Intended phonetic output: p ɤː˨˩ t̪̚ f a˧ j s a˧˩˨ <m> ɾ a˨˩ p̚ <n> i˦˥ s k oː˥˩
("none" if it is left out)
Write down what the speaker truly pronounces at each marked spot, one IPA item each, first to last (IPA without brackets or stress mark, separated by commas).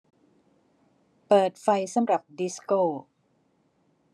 m, d